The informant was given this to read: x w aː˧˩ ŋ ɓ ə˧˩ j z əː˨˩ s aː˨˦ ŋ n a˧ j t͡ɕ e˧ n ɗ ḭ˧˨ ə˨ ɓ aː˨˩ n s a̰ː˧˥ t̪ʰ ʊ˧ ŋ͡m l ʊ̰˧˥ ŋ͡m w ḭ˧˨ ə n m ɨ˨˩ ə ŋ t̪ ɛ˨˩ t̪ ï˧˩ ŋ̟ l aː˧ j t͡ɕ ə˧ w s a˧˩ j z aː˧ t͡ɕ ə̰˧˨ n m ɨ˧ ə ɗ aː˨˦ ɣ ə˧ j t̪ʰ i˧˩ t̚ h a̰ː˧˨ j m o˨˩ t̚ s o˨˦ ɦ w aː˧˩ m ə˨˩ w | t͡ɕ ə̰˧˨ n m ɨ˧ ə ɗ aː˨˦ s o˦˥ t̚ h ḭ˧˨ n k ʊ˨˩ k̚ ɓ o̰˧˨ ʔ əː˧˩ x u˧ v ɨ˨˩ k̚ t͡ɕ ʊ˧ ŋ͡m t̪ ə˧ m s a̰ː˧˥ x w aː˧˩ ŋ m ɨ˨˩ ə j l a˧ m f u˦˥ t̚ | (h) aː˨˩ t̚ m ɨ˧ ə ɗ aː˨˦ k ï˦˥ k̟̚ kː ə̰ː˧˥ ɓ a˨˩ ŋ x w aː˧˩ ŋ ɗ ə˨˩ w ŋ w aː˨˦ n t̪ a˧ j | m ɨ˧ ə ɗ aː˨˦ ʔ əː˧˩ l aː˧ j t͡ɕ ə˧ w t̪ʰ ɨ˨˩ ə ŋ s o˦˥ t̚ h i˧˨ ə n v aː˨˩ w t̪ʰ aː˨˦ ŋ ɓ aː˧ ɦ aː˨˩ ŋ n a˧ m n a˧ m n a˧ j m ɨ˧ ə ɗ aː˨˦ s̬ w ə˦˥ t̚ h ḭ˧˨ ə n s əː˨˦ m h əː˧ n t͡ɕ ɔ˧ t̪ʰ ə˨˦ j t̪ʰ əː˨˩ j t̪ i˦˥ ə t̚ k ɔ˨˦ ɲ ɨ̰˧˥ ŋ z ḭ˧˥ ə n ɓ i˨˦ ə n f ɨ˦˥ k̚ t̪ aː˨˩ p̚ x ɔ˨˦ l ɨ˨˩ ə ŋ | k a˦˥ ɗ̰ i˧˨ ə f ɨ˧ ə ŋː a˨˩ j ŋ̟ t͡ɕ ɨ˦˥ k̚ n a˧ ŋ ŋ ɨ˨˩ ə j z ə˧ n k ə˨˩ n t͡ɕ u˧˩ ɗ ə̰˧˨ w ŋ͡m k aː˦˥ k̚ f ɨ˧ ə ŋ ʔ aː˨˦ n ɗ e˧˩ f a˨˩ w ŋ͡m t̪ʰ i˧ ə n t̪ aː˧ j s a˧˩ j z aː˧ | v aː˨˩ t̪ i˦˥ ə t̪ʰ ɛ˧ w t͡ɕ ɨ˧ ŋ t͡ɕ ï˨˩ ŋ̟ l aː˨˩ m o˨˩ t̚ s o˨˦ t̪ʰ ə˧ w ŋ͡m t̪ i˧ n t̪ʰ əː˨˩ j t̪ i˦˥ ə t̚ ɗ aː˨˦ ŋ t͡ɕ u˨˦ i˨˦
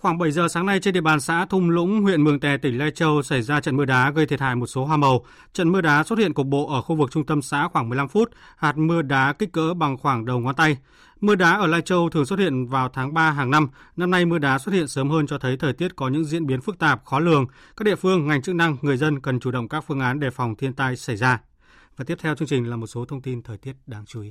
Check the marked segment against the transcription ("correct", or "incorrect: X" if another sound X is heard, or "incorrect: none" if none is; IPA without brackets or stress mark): correct